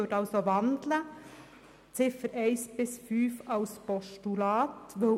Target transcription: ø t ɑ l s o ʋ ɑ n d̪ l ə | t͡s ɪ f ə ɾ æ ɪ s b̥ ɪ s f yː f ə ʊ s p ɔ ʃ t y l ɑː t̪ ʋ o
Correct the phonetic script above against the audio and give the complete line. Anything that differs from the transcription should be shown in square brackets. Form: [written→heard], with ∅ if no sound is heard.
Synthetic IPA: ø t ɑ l s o ʋ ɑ n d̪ l ə | t͡s ɪ f ə ɾ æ ɪ s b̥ ɪ s f yː f [ə→ɑ] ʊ s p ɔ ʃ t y l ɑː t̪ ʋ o